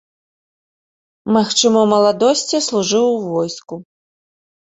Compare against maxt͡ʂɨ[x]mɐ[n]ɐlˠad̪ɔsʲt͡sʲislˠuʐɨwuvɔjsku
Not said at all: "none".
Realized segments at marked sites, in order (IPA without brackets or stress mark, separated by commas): none, m